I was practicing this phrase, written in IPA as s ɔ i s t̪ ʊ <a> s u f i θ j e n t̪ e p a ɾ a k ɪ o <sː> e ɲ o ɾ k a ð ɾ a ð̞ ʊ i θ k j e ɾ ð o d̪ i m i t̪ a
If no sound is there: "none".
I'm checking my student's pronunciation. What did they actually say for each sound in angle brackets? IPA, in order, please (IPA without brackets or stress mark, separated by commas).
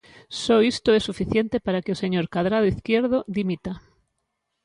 ɛ, s